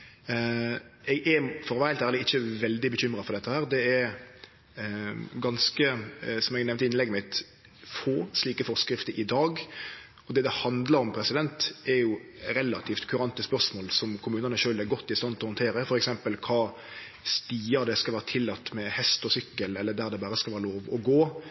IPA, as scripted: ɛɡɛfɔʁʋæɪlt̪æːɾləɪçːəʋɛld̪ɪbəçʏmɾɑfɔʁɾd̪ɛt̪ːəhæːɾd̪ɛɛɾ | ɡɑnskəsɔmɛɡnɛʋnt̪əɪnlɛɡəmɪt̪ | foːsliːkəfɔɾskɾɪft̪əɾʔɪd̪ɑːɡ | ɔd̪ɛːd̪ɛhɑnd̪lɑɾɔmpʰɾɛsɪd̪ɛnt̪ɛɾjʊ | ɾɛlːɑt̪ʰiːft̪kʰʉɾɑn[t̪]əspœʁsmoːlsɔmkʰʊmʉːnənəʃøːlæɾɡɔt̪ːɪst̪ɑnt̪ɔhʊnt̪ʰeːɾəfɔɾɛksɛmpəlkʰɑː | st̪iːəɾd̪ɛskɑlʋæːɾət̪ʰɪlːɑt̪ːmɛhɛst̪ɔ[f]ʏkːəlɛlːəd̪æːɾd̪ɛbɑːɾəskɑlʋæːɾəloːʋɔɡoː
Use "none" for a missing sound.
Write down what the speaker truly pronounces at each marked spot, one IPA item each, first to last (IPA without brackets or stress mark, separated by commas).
t̪, s